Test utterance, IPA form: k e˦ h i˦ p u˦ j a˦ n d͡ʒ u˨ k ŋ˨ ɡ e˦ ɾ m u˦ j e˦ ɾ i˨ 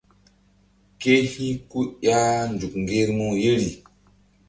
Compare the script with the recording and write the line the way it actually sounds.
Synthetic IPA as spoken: k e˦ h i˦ k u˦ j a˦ n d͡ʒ u˨ k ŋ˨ ɡ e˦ ɾ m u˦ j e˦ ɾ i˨